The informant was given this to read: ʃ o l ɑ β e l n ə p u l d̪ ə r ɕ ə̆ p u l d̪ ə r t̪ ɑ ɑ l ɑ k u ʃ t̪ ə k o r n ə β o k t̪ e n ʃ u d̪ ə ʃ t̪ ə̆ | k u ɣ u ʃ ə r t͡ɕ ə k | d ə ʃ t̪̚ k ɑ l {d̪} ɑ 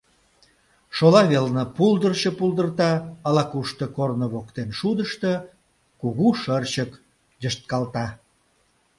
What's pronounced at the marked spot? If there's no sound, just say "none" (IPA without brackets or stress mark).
t̪